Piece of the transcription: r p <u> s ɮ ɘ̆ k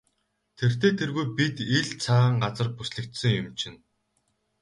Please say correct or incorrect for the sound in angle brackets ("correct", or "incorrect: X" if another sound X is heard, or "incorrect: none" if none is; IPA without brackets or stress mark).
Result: correct